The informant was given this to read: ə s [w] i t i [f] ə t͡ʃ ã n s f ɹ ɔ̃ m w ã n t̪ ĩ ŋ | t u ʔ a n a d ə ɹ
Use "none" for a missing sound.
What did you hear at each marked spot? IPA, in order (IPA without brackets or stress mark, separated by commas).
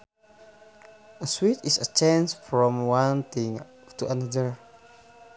w, s